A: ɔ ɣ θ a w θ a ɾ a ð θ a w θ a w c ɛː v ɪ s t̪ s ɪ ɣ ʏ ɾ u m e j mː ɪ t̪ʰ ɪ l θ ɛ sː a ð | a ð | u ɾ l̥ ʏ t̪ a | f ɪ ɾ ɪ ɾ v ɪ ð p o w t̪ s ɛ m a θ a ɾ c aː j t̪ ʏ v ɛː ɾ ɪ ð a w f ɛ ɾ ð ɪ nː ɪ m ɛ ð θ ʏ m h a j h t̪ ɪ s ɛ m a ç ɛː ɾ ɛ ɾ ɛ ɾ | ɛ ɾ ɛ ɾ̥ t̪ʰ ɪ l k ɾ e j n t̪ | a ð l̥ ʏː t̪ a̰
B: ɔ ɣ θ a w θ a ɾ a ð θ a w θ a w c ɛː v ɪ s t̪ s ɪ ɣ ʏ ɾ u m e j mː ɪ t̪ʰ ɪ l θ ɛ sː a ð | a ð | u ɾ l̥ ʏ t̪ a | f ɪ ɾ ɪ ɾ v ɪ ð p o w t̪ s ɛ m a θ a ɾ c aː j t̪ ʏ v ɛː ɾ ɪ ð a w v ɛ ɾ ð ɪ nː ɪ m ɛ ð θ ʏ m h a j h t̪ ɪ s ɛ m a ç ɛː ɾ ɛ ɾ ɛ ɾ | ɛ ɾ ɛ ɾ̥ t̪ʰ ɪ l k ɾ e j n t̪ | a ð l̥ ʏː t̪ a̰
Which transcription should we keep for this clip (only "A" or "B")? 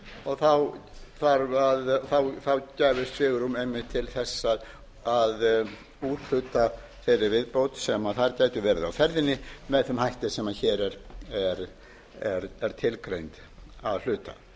A